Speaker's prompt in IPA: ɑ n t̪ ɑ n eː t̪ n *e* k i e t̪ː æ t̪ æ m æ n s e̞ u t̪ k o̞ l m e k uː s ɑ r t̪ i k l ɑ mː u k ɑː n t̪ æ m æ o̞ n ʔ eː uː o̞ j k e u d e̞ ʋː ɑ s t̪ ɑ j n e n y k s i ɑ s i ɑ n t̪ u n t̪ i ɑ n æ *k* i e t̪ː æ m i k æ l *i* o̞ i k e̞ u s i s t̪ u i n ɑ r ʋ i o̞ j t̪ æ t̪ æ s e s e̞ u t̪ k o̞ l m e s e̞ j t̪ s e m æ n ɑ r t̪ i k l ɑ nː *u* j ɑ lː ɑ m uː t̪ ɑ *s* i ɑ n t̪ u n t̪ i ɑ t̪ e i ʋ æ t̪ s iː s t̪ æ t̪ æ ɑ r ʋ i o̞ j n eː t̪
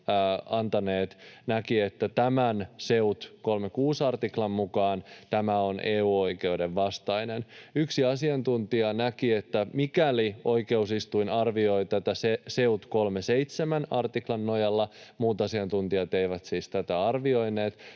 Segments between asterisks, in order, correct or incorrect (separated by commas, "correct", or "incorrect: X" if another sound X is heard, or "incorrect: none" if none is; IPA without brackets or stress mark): incorrect: æ, correct, correct, incorrect: o, correct